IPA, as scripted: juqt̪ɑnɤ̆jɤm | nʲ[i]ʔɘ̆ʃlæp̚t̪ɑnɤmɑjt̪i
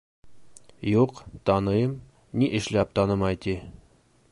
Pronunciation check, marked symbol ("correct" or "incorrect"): correct